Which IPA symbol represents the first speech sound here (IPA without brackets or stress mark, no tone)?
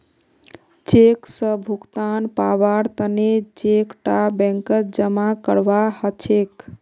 t͡ʃ